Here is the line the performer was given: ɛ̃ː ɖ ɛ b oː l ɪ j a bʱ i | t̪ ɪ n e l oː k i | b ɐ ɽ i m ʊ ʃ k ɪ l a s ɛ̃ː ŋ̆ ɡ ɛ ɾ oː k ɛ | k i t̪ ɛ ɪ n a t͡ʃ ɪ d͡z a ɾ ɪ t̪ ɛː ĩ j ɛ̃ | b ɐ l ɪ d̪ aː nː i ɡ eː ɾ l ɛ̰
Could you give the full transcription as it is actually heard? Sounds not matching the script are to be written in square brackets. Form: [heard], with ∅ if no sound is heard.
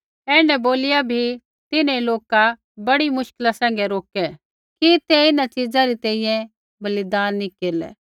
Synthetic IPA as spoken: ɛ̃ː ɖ ɛ b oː l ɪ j a bʱ i | t̪ ɪ n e l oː k [a] | b ɐ ɽ i m ʊ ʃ k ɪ l a s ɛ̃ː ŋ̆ ɡ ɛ ɾ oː k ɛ | k i t̪ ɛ ɪ n a t͡ʃ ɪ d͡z a ɾ [i] t̪ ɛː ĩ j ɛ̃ | b ɐ l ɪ d̪ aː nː i [k] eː ɾ l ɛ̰